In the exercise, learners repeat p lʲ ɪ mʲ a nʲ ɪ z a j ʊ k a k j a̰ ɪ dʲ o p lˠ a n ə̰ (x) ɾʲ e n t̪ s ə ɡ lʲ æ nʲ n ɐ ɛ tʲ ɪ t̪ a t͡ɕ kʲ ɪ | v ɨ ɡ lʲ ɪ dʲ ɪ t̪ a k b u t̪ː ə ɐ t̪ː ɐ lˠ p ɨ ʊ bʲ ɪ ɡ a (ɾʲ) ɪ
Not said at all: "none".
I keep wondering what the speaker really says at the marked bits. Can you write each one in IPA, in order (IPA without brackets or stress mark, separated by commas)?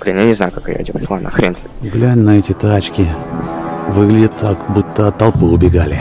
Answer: x, lʲ